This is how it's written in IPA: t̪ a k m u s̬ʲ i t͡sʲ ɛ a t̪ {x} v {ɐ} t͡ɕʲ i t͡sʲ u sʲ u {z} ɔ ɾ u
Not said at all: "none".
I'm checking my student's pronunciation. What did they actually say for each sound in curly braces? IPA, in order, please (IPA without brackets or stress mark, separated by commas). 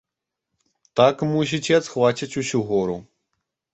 x, a, ɣ